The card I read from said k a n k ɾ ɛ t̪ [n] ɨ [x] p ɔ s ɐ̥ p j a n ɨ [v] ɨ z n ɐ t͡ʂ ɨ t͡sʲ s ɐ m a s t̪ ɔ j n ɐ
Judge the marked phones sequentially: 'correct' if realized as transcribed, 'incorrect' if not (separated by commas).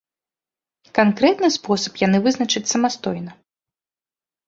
correct, incorrect, correct